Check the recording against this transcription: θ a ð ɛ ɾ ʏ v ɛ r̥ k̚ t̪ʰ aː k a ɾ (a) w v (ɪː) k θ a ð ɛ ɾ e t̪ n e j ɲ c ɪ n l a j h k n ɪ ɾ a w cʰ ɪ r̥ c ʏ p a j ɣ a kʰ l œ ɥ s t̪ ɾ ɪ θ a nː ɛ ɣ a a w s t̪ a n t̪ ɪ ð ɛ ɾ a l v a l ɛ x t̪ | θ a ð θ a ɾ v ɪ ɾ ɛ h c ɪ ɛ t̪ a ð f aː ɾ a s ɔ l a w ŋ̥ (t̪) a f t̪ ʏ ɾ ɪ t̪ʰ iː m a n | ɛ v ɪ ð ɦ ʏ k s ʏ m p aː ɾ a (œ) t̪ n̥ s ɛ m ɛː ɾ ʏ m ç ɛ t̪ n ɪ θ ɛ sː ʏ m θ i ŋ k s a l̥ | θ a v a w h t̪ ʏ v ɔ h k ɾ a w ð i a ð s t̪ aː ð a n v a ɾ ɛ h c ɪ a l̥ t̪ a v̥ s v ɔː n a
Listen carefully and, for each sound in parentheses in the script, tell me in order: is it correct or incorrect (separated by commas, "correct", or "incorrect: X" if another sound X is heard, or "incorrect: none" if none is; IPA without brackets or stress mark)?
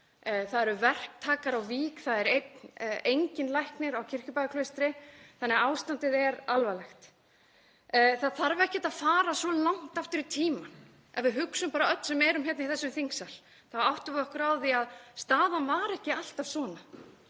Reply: correct, incorrect: iː, correct, correct